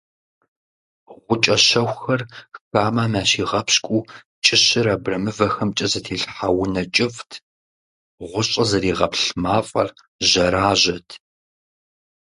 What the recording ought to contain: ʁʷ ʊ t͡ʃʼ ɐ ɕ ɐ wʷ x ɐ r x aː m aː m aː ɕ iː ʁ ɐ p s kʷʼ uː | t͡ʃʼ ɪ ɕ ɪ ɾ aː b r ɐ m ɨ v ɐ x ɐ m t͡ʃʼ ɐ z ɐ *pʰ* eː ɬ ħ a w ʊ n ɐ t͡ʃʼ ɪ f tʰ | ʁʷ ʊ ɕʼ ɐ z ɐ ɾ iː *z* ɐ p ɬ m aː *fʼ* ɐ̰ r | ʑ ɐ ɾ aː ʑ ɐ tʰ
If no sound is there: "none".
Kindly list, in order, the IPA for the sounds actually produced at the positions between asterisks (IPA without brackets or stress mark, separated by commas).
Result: tʰ, ʁ, fʼ